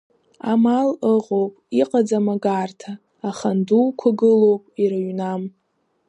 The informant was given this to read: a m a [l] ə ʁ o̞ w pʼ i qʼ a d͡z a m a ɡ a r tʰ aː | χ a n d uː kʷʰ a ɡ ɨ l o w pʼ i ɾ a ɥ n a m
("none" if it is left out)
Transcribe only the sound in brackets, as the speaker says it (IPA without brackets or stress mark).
l